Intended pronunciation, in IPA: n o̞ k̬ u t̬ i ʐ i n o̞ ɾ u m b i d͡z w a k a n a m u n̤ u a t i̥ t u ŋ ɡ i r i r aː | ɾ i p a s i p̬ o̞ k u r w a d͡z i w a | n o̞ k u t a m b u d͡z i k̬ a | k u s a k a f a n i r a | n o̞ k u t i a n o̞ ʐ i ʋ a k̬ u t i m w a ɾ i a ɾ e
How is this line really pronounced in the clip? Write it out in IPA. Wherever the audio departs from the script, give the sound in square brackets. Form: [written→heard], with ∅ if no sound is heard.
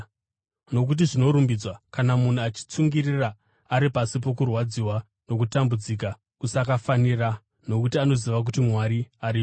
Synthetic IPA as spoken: n o̞ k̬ u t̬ i ʐ i n o̞ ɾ u m b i d͡z w a k a n a m u n̤ u a [t→t͡ʃ] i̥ [t→t͡s] u ŋ ɡ i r i r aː | ɾ i p a s i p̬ o̞ k u r w a d͡z i w a | n o̞ k u t a m b u d͡z i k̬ a | k u s a k a f a n i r a | n o̞ k u t i a n o̞ [ʐ→z] i ʋ a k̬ u t i m w a ɾ i a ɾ [e→i]